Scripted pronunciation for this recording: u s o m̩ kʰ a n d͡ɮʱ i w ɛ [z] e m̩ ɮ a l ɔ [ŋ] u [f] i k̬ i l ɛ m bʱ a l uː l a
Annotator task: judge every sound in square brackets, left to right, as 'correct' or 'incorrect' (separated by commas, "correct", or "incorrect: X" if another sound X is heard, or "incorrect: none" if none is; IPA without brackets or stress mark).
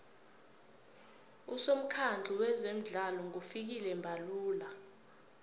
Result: correct, correct, correct